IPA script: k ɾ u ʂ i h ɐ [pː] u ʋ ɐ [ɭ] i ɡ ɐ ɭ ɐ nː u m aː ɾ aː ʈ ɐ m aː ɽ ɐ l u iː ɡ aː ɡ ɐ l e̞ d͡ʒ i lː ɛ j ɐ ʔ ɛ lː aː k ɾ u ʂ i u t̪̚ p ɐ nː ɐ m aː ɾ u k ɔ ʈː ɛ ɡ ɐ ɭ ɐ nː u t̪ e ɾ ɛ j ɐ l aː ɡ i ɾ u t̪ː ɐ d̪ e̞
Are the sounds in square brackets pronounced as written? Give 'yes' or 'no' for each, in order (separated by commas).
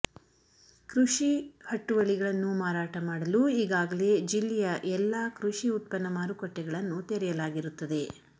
no, yes